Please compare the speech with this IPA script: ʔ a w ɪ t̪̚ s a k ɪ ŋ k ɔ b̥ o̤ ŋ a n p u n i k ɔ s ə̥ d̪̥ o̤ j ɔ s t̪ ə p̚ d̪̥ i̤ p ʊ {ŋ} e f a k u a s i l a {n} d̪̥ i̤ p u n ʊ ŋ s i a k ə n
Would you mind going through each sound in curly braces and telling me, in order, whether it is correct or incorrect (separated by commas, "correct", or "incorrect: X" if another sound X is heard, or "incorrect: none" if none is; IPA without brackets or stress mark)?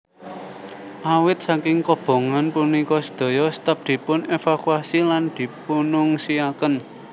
incorrect: n, correct